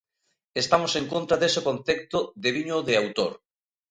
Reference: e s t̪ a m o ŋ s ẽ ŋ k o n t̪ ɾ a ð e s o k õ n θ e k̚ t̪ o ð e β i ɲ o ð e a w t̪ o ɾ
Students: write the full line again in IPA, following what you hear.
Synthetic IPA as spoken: e s t̪ a m o s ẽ ŋ k o n t̪ ɾ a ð e s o k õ n θ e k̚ t̪ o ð e β i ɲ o ð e a w t̪ o ɾ